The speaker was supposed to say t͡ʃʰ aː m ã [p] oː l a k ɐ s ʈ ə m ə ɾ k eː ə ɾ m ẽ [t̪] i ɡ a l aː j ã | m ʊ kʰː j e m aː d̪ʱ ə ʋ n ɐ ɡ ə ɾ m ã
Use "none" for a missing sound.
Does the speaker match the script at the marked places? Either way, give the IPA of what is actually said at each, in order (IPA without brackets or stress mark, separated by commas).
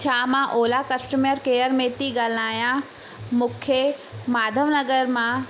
ʔ, t̪